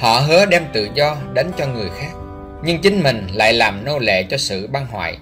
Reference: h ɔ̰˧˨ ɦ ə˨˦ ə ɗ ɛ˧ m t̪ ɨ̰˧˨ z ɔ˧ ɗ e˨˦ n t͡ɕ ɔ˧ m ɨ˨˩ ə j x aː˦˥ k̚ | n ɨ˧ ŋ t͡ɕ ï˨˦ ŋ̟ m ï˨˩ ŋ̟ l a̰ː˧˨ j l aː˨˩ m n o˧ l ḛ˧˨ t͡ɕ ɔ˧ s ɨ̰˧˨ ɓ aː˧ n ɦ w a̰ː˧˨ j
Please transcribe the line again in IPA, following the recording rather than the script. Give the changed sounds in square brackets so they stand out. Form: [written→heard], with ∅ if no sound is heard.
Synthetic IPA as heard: h ɔ̰˧˨ ɦ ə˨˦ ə ɗ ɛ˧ m t̪ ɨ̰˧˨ z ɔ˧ ɗ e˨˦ n t͡ɕ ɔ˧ [m→ŋ] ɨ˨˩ ə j x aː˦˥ k̚ | [n→ɲ] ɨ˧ ŋ t͡ɕ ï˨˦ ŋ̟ m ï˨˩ ŋ̟ l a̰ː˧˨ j l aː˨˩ m n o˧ l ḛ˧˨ t͡ɕ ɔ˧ s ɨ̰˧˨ ɓ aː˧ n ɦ w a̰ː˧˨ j